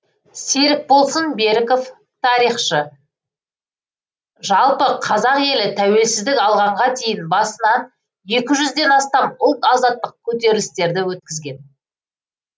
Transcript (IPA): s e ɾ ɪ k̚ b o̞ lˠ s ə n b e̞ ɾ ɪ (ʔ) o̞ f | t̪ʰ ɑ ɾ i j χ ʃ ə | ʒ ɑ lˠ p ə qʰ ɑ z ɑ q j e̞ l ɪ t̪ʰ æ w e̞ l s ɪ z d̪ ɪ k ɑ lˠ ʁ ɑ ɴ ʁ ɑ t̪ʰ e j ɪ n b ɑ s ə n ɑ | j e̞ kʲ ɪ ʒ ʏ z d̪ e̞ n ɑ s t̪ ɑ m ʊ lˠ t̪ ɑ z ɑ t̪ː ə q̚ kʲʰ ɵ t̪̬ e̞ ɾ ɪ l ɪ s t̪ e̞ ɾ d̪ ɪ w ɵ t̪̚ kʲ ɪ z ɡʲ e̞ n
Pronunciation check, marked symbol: incorrect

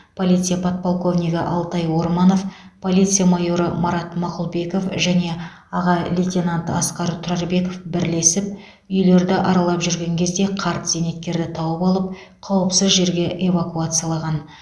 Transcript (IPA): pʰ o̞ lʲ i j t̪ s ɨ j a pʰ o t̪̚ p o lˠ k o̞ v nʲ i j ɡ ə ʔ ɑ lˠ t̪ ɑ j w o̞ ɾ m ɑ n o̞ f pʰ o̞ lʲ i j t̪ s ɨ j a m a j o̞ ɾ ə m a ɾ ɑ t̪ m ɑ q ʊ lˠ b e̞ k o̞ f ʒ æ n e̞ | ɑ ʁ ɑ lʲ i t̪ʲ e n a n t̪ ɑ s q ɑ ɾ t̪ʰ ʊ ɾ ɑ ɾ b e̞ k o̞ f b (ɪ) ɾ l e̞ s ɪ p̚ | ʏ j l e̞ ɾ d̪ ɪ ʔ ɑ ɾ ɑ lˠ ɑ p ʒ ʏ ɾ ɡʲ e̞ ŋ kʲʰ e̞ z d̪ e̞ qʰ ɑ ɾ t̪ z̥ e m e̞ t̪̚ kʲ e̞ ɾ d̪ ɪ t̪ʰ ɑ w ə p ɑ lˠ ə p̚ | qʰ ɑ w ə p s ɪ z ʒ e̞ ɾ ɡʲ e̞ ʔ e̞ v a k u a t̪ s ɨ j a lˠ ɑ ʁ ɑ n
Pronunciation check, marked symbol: correct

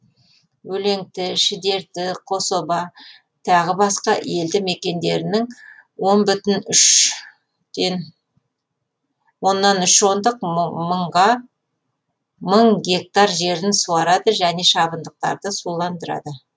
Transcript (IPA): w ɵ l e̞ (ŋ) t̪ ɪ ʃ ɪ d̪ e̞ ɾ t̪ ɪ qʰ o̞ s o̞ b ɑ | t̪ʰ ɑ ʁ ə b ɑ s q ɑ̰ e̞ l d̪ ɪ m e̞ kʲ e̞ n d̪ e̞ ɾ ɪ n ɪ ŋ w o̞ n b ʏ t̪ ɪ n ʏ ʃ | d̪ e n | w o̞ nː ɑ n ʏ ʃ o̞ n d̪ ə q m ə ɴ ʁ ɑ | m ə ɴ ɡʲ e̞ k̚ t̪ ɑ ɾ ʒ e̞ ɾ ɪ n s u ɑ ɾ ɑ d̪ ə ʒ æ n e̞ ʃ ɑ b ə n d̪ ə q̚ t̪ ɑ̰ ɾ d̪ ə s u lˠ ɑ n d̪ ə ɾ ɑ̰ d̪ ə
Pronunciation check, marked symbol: correct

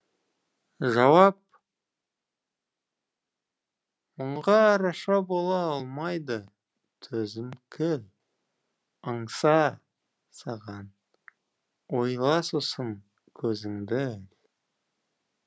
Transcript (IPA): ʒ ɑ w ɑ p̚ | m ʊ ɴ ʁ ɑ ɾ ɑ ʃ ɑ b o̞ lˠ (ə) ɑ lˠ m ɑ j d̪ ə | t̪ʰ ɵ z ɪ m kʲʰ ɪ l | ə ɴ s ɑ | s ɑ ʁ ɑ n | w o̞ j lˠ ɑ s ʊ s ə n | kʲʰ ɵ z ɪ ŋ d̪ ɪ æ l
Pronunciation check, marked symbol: incorrect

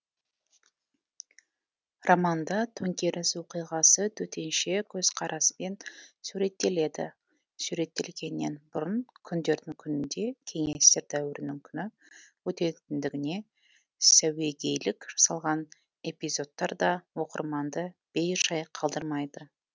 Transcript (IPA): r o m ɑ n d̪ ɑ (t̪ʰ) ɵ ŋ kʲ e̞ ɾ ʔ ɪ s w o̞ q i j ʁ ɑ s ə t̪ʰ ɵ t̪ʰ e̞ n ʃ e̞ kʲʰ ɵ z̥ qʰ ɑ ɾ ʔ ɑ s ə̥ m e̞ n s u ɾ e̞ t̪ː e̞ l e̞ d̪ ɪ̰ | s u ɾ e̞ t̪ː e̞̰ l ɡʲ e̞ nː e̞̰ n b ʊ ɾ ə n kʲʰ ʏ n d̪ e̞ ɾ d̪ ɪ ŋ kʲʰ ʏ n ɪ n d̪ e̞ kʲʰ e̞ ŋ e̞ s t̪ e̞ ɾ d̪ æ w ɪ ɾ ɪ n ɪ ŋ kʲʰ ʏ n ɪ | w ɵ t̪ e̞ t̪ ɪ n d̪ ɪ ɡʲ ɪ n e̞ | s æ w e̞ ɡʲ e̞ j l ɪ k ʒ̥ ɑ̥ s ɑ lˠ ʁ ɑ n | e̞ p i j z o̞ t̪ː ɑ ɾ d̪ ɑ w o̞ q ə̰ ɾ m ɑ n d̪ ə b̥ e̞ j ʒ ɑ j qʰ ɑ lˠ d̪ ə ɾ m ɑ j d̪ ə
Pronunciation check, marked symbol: correct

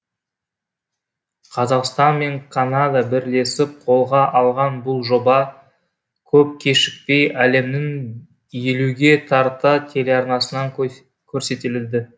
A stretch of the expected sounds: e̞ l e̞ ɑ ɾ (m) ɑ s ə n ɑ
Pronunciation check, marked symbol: incorrect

